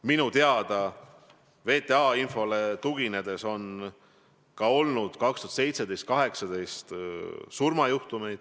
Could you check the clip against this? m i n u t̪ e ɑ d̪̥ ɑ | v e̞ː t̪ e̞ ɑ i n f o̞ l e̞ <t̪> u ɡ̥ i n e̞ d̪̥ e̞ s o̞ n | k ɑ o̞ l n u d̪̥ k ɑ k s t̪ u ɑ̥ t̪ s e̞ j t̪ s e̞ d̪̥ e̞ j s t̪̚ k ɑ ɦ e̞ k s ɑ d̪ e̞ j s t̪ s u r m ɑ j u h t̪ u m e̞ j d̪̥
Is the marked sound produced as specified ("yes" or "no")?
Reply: yes